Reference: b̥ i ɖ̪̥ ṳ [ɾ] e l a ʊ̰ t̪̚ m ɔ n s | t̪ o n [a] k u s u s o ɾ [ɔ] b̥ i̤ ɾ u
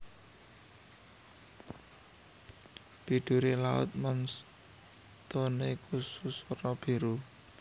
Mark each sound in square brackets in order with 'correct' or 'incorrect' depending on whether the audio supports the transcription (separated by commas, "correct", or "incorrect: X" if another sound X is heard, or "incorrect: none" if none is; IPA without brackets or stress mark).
correct, incorrect: e, correct